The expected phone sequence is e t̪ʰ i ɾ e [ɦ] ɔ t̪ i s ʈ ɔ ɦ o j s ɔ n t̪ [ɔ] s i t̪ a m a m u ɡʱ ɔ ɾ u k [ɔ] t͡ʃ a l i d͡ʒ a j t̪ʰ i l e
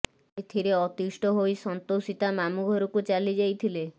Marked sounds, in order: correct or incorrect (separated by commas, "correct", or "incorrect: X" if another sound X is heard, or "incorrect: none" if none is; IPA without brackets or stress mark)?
incorrect: none, incorrect: o, incorrect: u